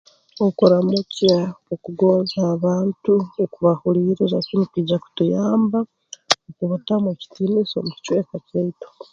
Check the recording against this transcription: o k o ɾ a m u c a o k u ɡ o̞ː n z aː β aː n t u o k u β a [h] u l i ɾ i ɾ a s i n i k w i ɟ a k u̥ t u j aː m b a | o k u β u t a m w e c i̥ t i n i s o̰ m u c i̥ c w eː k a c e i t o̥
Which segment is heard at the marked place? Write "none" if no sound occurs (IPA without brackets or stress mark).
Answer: h